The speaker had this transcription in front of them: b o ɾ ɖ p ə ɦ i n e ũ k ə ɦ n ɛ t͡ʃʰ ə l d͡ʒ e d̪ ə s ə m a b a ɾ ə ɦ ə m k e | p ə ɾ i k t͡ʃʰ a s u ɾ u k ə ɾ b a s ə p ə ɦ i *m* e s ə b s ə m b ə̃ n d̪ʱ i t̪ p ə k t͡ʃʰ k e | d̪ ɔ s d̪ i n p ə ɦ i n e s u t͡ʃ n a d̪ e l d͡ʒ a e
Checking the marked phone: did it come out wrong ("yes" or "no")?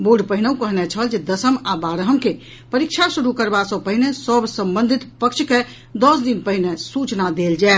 yes